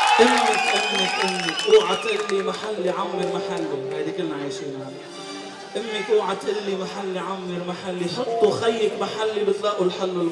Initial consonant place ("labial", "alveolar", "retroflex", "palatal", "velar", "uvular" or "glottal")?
glottal